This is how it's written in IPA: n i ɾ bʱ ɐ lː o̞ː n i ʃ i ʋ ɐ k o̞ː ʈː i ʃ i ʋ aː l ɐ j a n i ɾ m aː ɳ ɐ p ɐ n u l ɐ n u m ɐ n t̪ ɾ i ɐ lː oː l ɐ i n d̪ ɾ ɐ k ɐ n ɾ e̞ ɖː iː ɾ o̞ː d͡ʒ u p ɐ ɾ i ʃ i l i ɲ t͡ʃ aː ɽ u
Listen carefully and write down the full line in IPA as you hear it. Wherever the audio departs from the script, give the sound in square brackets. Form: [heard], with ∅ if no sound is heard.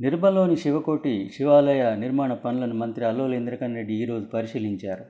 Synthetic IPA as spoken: n i ɾ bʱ ɐ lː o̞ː n i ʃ i ʋ ɐ k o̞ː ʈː i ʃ i ʋ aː l ɐ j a n i ɾ m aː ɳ ɐ p ɐ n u l ɐ n u m ɐ n t̪ ɾ i ɐ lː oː l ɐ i n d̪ ɾ ɐ k ɐ n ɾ e̞ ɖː iː ɾ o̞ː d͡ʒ u p ɐ ɾ i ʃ i l i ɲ t͡ʃ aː [ɾ] u